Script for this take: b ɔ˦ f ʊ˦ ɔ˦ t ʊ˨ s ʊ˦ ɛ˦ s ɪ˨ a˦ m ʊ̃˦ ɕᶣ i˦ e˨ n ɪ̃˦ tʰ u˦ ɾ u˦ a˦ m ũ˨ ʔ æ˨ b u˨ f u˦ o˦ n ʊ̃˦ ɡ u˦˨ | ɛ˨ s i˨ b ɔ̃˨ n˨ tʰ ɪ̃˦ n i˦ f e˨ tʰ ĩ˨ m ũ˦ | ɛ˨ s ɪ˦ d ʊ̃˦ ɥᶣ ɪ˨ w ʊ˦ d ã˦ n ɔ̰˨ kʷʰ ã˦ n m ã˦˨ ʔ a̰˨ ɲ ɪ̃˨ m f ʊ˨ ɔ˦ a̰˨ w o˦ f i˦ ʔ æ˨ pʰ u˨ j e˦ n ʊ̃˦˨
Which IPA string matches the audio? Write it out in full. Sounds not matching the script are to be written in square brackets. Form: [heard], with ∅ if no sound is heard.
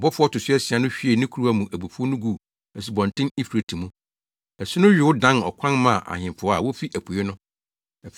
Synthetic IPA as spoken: b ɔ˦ f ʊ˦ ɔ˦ t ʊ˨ s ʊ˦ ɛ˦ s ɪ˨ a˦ [n] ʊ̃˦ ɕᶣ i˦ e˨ n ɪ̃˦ [kʰ] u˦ ɾ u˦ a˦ m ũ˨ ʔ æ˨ b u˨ f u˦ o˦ n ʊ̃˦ ɡ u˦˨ | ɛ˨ s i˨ b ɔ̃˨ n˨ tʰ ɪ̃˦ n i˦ f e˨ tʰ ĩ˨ m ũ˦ | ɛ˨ s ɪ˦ [n] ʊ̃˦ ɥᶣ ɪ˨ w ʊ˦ d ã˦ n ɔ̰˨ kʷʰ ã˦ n m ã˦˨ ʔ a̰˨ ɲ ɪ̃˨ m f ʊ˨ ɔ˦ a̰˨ w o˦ f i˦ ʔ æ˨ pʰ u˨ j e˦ n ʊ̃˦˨

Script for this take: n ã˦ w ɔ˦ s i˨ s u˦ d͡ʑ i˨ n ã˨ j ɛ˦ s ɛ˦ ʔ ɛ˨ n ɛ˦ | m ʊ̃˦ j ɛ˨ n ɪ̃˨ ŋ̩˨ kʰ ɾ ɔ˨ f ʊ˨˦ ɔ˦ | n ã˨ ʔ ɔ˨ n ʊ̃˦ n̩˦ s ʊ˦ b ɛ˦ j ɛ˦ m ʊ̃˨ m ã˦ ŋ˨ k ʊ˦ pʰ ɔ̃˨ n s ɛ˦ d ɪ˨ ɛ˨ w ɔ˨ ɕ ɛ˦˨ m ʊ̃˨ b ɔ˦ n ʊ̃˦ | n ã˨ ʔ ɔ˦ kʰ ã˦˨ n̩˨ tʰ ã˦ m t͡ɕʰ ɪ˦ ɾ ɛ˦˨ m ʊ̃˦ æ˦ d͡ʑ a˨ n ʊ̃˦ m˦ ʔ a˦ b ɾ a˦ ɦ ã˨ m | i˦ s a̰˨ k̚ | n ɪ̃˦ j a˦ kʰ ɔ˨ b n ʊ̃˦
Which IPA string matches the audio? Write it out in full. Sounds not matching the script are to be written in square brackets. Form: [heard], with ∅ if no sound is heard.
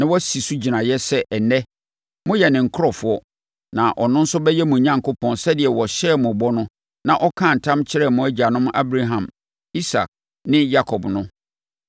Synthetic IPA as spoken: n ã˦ w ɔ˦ s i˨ s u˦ d͡ʑ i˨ n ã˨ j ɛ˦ s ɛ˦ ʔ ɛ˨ n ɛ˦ | m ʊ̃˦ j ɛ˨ n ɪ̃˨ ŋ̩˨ kʰ ɾ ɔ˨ f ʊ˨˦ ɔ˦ | n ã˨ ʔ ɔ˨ n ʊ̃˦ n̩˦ s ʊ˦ b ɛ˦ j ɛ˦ m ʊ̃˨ [ɲ] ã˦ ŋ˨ k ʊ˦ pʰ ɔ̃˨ n s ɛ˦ d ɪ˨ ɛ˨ w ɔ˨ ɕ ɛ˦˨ m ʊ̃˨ b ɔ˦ n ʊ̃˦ | n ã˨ ʔ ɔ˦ kʰ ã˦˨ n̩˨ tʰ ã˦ m t͡ɕʰ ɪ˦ ɾ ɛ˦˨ m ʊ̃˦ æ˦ d͡ʑ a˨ n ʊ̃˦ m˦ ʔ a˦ b ɾ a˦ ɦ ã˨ m | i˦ s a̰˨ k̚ | n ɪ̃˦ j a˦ kʰ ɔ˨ b n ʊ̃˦

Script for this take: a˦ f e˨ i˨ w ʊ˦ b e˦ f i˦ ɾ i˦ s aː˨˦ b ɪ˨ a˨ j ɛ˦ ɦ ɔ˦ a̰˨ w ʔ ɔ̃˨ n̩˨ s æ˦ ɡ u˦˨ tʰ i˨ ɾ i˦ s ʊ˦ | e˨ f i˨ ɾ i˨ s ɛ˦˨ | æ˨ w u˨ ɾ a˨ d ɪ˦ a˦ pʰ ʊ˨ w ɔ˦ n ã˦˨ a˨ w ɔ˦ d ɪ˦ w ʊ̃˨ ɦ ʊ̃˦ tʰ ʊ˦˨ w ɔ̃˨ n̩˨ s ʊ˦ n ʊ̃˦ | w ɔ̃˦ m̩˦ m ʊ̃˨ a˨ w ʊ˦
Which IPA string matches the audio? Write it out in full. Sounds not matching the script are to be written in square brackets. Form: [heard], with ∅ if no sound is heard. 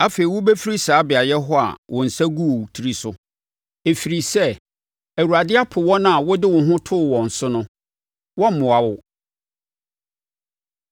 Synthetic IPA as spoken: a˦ f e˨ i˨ w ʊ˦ b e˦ f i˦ ɾ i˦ s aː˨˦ b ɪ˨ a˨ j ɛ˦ ɦ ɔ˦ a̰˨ w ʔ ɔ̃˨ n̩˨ s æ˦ ɡ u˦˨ tʰ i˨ ɾ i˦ s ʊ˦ | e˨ f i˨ ɾ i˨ s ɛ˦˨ | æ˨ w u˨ ɾ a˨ d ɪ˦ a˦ pʰ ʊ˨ w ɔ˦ n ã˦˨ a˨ w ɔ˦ d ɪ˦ w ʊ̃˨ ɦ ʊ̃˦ tʰ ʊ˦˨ w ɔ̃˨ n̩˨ s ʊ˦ n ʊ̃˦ | w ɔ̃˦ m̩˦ m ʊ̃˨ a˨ w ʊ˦

